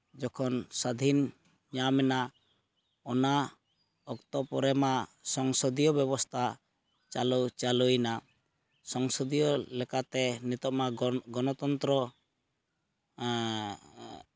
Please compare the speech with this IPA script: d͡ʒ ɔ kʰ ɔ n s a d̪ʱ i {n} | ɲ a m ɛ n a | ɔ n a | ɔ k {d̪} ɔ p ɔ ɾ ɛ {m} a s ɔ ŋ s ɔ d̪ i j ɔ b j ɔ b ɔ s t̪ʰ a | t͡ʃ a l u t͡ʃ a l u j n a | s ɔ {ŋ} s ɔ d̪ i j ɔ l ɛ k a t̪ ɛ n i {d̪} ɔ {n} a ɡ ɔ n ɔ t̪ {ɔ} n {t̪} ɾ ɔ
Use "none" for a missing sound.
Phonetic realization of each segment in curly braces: n, t̪, m, ŋ, t̪, m, ɔ, t̪

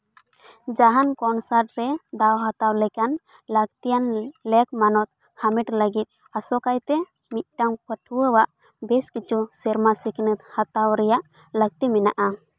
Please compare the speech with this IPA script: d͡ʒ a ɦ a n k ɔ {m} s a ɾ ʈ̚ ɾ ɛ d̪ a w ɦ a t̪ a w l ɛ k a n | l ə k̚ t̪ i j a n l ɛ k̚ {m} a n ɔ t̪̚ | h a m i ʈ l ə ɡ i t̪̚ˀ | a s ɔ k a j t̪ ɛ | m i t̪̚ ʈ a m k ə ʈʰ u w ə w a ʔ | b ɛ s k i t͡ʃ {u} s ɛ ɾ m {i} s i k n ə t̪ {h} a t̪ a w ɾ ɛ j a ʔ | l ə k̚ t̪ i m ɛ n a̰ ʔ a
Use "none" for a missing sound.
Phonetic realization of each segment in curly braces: n, m, u, a, h

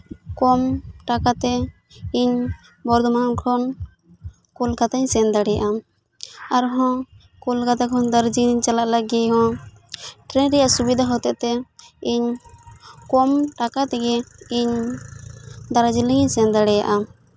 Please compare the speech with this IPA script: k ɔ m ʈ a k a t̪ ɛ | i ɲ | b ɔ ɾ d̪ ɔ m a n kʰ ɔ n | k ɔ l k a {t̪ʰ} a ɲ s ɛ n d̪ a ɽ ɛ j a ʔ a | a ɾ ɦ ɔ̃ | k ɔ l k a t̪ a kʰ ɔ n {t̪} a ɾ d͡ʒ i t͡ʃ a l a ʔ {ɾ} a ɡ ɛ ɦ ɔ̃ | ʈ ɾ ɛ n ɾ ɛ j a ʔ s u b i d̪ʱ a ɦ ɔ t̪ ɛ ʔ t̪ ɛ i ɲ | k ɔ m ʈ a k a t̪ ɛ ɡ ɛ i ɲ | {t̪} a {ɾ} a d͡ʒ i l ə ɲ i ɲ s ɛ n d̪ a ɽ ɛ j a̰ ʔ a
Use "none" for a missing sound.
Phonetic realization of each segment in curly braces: t̪, d̪, l, d̪, ɾ

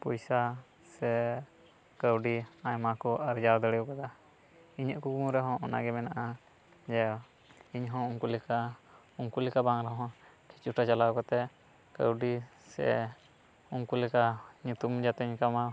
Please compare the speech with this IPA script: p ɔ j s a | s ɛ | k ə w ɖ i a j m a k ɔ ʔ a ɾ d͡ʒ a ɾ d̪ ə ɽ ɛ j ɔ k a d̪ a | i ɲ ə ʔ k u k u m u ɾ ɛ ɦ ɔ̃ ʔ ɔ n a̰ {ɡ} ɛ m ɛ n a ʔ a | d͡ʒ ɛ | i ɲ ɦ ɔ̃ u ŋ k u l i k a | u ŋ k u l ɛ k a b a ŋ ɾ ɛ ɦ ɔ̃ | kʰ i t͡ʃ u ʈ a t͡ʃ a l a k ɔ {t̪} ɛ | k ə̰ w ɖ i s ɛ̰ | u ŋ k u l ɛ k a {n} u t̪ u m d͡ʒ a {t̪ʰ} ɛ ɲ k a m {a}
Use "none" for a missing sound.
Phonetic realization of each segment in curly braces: ɡ, t̪, ɲ, t̪, a

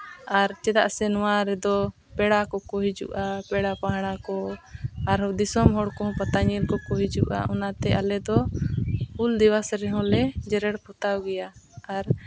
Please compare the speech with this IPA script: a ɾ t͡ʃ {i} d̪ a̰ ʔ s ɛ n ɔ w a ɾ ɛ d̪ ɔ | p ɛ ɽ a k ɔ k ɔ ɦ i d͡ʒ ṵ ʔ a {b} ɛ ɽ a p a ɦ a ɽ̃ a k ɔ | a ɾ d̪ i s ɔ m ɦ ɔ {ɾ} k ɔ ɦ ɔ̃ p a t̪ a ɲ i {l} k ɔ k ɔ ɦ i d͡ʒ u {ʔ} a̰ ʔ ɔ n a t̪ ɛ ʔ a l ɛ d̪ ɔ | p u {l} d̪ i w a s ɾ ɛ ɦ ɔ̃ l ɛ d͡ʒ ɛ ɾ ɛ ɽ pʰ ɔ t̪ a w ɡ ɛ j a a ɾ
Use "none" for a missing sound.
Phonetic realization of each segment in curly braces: ɛ, p, ɽ, l, ʔ, l

